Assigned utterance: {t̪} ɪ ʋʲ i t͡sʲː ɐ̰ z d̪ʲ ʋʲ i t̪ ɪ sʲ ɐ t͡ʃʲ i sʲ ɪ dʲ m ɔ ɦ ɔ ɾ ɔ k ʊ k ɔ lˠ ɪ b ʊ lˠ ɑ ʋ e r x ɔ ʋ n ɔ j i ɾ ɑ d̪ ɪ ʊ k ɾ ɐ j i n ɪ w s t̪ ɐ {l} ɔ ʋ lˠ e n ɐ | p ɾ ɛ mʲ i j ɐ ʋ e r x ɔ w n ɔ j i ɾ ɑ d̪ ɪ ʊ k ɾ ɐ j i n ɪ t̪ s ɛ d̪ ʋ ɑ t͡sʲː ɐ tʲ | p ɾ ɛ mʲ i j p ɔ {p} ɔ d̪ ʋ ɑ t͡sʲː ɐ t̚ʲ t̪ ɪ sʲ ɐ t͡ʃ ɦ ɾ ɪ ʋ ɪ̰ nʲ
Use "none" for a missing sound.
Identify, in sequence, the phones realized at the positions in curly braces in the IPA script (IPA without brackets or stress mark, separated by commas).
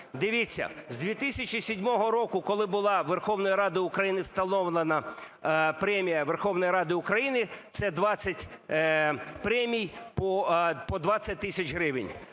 d̪, l, p